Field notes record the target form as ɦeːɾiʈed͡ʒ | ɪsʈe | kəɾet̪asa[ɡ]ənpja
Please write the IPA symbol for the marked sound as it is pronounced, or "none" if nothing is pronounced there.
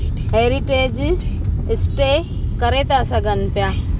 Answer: ɡ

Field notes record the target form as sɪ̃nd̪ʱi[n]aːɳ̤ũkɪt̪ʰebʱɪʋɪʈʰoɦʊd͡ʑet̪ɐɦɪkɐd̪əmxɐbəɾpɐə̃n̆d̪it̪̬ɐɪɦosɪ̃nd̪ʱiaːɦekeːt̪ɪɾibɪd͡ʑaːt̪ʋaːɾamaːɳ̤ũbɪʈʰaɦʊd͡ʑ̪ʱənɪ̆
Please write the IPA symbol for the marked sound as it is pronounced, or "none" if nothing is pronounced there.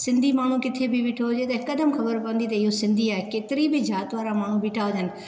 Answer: m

